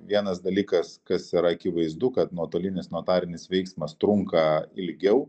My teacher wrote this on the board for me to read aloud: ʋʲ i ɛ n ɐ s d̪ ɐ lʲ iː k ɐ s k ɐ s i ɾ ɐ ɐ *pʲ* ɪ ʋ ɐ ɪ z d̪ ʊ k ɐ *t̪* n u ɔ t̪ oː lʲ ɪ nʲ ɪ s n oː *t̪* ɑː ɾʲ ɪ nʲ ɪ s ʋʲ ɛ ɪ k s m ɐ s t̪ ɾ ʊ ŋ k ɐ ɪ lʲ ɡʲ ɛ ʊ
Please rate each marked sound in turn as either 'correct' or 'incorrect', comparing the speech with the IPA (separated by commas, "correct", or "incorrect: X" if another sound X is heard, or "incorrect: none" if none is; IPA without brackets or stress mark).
incorrect: kʲ, correct, correct